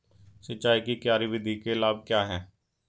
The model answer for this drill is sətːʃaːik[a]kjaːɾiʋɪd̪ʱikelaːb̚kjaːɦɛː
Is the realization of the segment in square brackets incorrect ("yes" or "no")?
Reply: yes